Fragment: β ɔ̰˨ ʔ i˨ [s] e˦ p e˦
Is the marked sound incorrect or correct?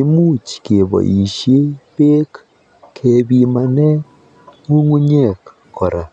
incorrect